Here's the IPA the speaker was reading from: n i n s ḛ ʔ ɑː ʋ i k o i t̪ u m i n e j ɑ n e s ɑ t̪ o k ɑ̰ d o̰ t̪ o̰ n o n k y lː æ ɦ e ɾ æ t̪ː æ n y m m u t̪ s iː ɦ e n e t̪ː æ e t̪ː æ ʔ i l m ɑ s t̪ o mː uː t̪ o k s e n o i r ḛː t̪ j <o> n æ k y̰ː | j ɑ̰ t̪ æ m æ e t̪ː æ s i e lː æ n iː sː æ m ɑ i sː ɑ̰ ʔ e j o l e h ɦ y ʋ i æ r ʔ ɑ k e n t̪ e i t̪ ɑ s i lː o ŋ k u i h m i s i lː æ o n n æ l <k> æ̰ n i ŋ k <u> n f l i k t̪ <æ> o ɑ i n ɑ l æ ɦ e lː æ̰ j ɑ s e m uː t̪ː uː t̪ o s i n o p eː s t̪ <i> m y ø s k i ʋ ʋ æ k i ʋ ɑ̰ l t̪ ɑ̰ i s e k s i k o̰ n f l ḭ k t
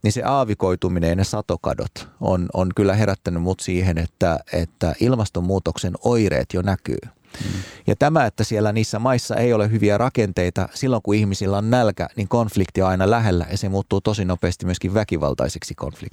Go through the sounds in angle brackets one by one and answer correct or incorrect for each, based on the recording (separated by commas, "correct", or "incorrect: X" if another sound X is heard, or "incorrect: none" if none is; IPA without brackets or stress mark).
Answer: correct, correct, incorrect: o, incorrect: i, correct